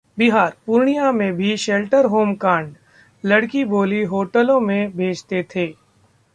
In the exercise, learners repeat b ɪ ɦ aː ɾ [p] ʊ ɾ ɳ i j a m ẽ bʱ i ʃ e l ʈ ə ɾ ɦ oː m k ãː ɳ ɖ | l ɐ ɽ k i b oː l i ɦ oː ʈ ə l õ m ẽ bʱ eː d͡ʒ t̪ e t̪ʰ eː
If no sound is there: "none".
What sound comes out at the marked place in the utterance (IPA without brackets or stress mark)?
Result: p